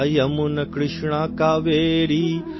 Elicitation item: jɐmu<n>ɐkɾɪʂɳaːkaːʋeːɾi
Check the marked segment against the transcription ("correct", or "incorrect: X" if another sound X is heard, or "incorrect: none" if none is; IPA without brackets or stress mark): correct